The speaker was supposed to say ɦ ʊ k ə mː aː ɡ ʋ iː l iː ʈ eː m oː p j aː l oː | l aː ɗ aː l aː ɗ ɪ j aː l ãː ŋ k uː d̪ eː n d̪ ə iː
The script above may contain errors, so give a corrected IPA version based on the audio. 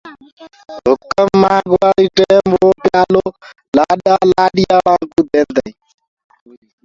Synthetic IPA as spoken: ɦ ʊ k ə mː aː ɡ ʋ aː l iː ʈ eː m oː p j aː l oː | l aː ɗ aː l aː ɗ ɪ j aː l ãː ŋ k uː d̪ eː n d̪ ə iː